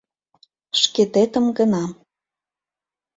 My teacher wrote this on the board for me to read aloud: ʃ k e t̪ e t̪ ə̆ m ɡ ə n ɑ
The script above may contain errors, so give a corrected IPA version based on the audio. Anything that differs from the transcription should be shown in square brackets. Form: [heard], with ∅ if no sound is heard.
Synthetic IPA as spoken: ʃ k e t̪ e t̪ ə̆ m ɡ ə n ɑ